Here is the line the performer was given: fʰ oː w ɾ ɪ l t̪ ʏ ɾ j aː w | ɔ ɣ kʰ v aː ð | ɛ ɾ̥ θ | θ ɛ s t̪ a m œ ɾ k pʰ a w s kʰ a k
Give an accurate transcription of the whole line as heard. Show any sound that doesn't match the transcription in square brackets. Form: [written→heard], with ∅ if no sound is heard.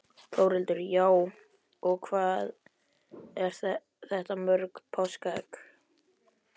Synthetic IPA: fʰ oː w ɾ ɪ l t̪ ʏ ɾ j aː w | ɔ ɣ kʰ v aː ð | ɛ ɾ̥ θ | θ ɛ [s→h] t̪ a m œ ɾ k pʰ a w s [kʰ→k] a k

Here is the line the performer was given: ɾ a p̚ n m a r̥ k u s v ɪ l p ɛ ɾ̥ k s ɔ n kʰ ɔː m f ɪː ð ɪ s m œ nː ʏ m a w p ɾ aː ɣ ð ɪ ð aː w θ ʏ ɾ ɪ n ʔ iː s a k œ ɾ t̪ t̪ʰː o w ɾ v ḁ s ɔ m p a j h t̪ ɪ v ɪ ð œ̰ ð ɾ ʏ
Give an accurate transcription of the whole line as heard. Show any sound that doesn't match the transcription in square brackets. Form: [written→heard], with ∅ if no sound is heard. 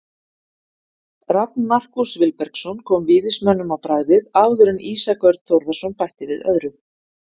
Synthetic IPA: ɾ a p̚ n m a r̥ k u s v ɪ l p ɛ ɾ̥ k s ɔ n kʰ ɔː m [f→v] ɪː ð ɪ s m œ nː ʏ m a w p ɾ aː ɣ ð ɪ ð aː w [θ→ð] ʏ ɾ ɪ n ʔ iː s a k œ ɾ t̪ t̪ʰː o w ɾ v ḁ s ɔ [m→n] p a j h t̪ ɪ v ɪ ð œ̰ ð ɾ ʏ

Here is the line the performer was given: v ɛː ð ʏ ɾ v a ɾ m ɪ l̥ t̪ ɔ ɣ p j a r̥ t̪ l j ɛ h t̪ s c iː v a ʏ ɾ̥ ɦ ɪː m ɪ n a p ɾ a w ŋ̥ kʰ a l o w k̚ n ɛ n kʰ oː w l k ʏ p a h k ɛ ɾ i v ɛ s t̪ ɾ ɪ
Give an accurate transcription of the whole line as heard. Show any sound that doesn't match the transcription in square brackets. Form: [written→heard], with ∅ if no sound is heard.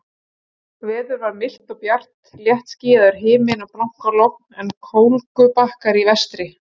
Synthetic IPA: v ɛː ð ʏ ɾ v a ɾ m ɪ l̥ t̪ ɔ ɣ p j a r̥ t̪ l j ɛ h t̪ s c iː [v→ð] a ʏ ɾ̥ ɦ ɪː m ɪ n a p [ɾ→l] a w ŋ̥ [kʰ→k] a l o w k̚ n ɛ n kʰ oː w l k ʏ p a h k [ɛ→a] ɾ i v ɛ s t̪ ɾ ɪ

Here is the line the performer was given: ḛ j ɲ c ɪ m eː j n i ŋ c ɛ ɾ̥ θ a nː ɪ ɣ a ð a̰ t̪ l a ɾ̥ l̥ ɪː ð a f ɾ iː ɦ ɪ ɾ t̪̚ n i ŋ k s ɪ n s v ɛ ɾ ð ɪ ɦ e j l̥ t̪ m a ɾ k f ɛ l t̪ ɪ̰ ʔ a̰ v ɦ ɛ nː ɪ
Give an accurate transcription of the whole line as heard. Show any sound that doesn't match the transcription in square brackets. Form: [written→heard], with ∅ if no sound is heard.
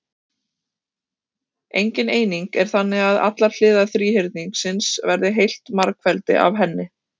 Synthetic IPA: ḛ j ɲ c ɪ [m→n] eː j n i ŋ [c→k] ɛ ɾ̥ θ a nː ɪ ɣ a ð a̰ t̪ l a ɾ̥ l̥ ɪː ð a [f→θ] ɾ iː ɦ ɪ ɾ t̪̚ n i ŋ k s ɪ n s v ɛ ɾ ð ɪ ɦ e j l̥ t̪ m a ɾ k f ɛ l t̪ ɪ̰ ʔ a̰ v ɦ ɛ nː ɪ

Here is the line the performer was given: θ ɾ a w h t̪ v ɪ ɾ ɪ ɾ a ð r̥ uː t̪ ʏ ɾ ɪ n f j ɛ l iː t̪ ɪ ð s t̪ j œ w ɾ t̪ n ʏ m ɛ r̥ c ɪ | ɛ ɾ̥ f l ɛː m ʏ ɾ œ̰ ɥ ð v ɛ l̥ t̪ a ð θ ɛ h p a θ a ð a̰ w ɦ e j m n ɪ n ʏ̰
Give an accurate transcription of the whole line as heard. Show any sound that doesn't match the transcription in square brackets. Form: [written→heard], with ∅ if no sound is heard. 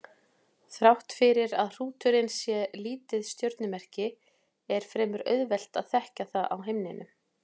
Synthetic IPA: θ ɾ a w h t̪ [v→f] ɪ ɾ ɪ ɾ a ð r̥ uː t̪ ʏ ɾ ɪ n [f→s] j ɛ l iː t̪ ɪ ð s t̪ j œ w ɾ t̪ n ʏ m ɛ r̥ c ɪ | ɛ ɾ̥ f [l→ɾ] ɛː m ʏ ɾ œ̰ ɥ ð v ɛ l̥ t̪ a ð θ ɛ h [p→c] a θ a ð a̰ w ɦ e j m n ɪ n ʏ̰

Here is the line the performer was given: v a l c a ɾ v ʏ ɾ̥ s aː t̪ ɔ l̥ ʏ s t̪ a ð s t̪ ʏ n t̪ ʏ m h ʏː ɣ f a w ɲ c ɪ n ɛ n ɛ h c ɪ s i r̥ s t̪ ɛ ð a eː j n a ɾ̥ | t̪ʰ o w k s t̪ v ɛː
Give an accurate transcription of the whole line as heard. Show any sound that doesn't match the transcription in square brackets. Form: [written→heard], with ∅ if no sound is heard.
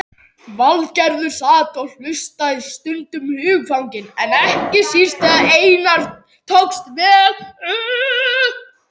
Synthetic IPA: v a l c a ɾ [v→ð] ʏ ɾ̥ s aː t̪ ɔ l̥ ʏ s t̪ a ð s t̪ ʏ n t̪ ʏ m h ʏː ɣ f a w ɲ c ɪ n ɛ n ɛ h c ɪ s i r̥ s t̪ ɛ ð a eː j n a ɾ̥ | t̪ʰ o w k s t̪ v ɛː

